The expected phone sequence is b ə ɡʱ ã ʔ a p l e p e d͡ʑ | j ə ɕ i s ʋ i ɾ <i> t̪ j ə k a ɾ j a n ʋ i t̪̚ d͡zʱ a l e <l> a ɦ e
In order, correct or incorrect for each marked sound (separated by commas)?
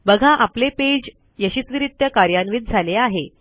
correct, incorrect